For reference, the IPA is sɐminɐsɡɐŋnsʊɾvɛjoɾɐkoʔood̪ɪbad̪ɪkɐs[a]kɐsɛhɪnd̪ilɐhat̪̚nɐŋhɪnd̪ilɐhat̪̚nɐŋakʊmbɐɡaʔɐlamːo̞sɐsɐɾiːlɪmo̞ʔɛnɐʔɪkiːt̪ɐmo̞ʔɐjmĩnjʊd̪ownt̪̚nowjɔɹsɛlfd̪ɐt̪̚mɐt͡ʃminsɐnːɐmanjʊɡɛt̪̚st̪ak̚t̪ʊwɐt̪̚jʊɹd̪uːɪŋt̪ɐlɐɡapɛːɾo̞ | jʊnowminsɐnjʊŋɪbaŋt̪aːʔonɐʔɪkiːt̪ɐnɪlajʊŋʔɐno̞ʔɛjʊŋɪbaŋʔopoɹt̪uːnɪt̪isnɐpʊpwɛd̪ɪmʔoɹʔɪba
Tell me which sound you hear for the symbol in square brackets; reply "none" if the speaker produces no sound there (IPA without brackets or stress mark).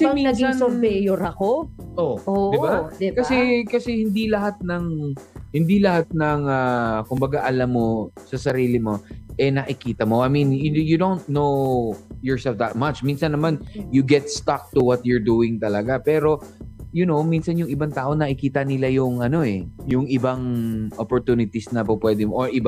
ɛ